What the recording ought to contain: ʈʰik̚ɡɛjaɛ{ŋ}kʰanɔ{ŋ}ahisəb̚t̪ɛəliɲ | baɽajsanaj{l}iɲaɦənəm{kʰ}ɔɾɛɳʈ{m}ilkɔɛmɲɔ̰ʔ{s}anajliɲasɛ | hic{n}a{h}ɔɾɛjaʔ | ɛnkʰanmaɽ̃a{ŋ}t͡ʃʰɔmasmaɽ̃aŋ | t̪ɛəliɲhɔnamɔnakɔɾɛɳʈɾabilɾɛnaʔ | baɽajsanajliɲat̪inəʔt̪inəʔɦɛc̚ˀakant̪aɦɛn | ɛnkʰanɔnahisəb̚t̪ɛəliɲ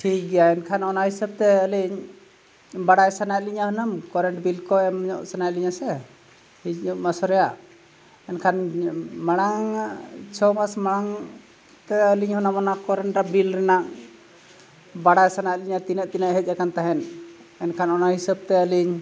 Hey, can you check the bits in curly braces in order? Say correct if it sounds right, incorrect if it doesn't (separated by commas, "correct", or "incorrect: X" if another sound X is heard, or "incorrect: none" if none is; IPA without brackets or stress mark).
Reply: incorrect: n, incorrect: n, correct, incorrect: k, incorrect: b, correct, incorrect: m, incorrect: s, correct